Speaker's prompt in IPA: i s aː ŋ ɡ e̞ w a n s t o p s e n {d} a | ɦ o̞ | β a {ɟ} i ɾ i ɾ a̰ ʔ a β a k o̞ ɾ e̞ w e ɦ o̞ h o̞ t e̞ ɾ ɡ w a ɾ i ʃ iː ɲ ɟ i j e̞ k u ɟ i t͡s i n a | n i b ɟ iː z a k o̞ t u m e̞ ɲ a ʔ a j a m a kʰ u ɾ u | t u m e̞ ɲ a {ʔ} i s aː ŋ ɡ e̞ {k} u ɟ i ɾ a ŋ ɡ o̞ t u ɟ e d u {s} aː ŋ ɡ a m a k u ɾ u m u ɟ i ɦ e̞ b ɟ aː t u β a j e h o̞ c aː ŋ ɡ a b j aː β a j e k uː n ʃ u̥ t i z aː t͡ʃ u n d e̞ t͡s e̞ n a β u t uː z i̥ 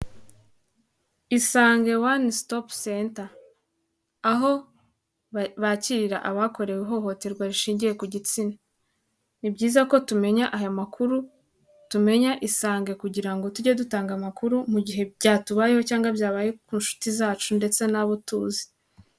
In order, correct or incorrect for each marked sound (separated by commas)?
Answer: incorrect, incorrect, correct, correct, incorrect